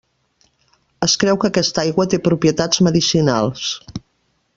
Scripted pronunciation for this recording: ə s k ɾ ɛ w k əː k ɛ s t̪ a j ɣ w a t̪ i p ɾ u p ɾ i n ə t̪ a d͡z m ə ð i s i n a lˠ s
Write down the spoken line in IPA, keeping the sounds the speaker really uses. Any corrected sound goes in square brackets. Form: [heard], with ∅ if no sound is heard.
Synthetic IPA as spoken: ə s k ɾ ɛ w k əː k ɛ s t̪ a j ɣ w [ə] t̪ [e] p ɾ u p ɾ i [∅] ə t̪ a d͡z m ə ð i s i n a lˠ s